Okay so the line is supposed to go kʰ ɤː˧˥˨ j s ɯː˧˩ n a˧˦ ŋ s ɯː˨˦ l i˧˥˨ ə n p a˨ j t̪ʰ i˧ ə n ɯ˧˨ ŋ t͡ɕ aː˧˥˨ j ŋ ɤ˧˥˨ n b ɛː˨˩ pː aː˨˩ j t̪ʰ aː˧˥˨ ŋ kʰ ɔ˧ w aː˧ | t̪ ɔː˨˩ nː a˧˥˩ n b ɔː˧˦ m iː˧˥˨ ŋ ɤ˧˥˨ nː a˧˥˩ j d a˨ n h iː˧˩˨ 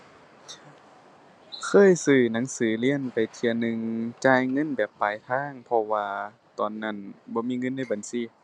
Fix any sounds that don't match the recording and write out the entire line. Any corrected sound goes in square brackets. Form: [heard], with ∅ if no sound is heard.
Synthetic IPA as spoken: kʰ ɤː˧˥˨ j s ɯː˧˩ n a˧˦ ŋ s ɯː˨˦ l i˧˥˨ ə n p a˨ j t̪ʰ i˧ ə n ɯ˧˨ ŋ t͡ɕ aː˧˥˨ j ŋ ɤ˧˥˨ n b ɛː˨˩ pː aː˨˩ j t̪ʰ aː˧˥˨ ŋ [pʰ] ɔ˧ w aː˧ | t̪ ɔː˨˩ nː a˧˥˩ n b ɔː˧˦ m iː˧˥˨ ŋ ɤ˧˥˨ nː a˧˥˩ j [b] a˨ n [s] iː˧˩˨